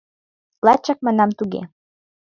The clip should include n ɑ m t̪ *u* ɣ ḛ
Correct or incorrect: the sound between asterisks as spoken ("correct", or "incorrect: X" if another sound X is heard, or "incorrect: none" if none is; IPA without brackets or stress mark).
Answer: correct